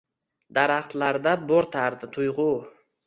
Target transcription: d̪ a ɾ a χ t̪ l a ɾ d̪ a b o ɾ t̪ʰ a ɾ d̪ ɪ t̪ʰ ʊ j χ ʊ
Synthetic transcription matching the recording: d̪ a ɾ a χ t̪ l a ɾ d̪ a b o ɾ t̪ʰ a ɾ d̪ ɪ t̪ʰ ʊ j ʁ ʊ

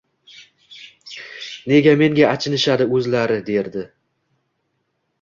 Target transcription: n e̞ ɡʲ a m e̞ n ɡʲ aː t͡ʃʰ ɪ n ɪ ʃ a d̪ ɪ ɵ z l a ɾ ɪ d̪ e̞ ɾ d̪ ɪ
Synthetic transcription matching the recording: n e̞ ɡʲ a m e̞ ŋ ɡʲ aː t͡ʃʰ ɪ n ɪ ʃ a d̪ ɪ ɵ z l a ɾ ɪ d̪ e̞ ɾ d̪ ɪ

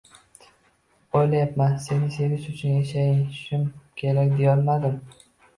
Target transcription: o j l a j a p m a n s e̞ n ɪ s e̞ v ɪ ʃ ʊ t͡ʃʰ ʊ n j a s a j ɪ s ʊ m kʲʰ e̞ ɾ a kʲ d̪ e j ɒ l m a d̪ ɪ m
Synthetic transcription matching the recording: o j l a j a p m a n s e̞ n ɪ s e̞ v ɪ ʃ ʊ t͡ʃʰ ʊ n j a ʃ a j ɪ ʃ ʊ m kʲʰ e̞ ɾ a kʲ d̪ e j ɒ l m a d̪ ɪ m

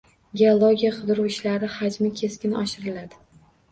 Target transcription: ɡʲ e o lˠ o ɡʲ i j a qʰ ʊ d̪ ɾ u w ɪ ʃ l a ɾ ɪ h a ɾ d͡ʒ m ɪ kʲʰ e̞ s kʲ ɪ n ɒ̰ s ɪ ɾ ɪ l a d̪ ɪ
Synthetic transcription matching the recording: ɡʲ e o lˠ o ɡʲ i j a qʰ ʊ d̪ ɾ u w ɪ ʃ l a ɾ ɪ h a d͡ʒ m ɪ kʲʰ e̞ s kʲ ɪ n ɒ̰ ʃ ɪ ɾ ɪ l a d̪ ɪ

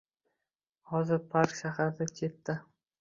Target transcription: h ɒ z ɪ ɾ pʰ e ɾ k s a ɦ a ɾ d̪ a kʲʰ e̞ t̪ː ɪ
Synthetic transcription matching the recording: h ɒ z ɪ ɾ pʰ a ɾ k ʃ a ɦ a ɾ d̪ a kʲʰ e̞ t̪ː ɪ

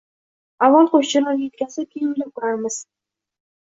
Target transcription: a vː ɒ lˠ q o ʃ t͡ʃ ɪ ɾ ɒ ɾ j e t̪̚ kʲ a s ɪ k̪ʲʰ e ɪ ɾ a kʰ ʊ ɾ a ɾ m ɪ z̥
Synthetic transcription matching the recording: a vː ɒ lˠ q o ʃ t͡ʃ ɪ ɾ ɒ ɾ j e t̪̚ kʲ a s ɪ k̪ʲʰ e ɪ l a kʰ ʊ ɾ a ɾ m ɪ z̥

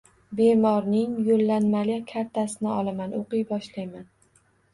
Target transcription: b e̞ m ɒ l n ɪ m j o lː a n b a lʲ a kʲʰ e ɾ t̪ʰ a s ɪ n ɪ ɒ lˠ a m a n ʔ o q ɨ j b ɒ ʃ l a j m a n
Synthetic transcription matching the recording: b e̞ m ɒ ɾ n ɪ ŋ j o lː a n m a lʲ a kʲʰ a ɾ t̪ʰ a s ɪ n ɪ ɒ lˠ a m a n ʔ o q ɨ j b ɒ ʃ l a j m a n

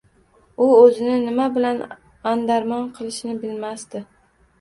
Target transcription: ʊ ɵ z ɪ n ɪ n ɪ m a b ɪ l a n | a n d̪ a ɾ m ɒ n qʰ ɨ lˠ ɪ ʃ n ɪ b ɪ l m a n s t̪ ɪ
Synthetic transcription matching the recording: ʊ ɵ z ɪ n ɪ n ɪ m a b ɪ l a n | a n d̪ a ɾ m ɒ n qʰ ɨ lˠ ɪ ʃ n ɪ b ɪ l m a s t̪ ɪ

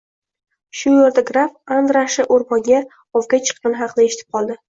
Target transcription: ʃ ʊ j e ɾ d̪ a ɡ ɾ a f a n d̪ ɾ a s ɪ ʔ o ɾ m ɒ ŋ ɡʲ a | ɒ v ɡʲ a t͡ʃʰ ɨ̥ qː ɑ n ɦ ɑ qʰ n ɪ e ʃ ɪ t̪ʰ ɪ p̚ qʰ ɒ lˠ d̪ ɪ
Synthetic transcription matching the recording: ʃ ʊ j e ɾ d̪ a ɡ ɾ a f a n d̪ ɾ a ʃ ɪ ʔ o ɾ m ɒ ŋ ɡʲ a | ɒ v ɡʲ a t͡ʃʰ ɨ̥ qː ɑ n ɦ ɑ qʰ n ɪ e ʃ ɪ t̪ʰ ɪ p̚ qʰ ɒ lˠ d̪ ɪ

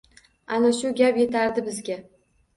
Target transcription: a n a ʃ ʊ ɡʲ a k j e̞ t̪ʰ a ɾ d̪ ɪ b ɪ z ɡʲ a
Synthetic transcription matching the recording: a n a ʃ ʊ ɡʲ a p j e̞ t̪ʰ a ɾ d̪ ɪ b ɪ z ɡʲ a

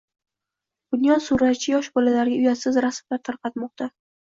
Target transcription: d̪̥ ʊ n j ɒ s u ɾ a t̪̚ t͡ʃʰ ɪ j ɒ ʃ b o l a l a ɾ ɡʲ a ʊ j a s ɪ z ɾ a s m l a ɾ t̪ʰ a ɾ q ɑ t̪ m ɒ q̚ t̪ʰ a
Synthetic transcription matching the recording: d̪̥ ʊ n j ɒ s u ɾ a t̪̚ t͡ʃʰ ɪ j ɒ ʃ b ɒ l a l a ɾ ɡʲ a ʊ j a s ɪ z ɾ a s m l a ɾ t̪ʰ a ɾ q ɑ t̪ m ɒ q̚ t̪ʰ a

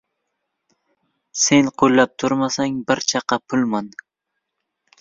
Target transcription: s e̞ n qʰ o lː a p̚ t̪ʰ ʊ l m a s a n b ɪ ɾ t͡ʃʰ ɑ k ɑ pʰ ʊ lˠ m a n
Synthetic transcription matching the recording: s e̞ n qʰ o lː a p̚ t̪ʰ ʊ ɾ m a s a ŋ b ɪ ɾ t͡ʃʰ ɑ q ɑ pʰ ʊ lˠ m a n

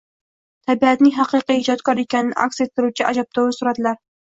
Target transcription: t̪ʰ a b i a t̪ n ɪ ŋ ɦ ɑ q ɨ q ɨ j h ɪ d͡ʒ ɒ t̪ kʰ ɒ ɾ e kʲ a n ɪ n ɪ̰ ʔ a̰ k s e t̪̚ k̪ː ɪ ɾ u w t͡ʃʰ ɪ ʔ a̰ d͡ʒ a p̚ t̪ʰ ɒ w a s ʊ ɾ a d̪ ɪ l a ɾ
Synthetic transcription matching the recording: t̪ʰ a b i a t̪ n ɪ ŋ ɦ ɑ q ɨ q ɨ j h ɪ d͡ʒ ɒ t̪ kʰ ɒ ɾ e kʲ a n ɪ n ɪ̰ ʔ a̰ k s e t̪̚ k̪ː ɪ ɾ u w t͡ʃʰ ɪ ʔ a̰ d͡ʒ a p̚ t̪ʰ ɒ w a s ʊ ɾ a d̪ ɪ l a ɾ

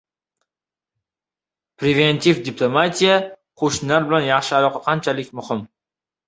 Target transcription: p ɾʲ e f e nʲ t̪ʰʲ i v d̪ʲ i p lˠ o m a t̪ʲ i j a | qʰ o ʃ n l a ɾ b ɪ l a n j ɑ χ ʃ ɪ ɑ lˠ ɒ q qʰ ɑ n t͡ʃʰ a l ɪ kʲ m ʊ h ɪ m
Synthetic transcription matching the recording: p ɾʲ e v e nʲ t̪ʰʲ i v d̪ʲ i p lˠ o m a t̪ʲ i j a | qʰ o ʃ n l a ɾ b ɪ l a n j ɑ χ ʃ ɪ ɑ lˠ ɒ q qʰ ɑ n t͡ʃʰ a l ɪ kʲ m ʊ h ɪ m

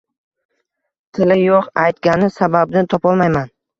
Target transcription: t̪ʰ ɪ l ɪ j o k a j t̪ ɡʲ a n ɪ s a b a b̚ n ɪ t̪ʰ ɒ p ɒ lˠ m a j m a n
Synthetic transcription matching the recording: t̪ʰ ɪ l ɪ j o q a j t̪ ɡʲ a n ɪ s a b a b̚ n ɪ t̪ʰ ɒ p ɒ lˠ m a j m a n

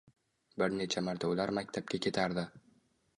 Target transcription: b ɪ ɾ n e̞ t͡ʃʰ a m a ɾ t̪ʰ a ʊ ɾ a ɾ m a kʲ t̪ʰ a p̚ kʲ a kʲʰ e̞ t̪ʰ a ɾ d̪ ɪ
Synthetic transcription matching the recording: b ɪ ɾ n e̞ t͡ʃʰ a m a ɾ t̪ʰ a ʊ l a ɾ m a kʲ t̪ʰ a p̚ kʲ a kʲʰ e̞ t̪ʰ a ɾ d̪ ɪ

